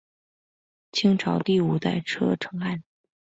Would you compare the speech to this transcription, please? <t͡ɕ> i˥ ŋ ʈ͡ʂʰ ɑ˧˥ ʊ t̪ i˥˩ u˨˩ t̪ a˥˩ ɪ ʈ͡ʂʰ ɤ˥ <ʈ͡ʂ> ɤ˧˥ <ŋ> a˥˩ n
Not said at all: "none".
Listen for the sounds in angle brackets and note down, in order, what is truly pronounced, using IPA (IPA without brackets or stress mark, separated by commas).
t͡ɕʰ, ʈ͡ʂʰ, ŋ